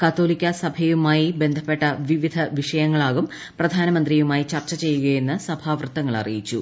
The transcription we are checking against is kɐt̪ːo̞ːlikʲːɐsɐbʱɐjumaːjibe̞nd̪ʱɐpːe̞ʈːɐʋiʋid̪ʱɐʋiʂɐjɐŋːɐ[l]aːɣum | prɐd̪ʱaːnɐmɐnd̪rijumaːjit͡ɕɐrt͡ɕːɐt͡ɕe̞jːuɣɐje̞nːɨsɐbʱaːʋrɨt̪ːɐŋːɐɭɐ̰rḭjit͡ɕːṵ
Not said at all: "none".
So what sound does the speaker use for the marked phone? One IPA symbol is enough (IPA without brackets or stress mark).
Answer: ɭ